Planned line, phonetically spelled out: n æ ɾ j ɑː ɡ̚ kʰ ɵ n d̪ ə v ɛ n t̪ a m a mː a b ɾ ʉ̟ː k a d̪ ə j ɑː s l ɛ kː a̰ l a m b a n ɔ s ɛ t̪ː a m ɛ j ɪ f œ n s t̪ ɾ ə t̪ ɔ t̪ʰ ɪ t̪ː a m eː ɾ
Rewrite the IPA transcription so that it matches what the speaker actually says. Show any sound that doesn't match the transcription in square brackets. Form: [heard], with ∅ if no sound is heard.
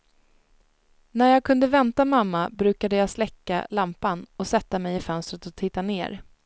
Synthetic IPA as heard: n æ ɾ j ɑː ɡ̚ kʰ ɵ n d̪ ə v ɛ n t̪ a m a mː a b ɾ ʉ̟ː k a d̪ ə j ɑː s l ɛ kː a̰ l a m [p] a n ɔ s ɛ t̪ː a m ɛ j ɪ f œ n s t̪ ɾ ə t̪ ɔ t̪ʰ ɪ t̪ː a [n] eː ɾ